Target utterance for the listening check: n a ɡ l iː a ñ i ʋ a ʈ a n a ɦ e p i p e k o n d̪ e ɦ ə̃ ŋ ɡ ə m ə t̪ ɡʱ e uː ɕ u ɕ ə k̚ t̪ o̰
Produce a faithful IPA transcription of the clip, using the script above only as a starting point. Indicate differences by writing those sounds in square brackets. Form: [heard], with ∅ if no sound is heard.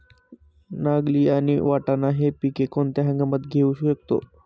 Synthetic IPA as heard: n a ɡ l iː a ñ i ʋ a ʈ a n a ɦ e p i [k] e k o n [t̪] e ɦ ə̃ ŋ ɡ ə m ə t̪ ɡʱ e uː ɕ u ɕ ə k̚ t̪ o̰